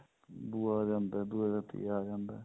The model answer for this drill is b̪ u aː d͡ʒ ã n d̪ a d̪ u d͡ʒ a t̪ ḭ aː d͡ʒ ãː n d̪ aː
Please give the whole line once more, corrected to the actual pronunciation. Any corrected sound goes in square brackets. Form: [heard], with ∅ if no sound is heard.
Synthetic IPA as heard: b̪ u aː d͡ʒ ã n d̪ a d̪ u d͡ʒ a t̪ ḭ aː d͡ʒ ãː n d̪ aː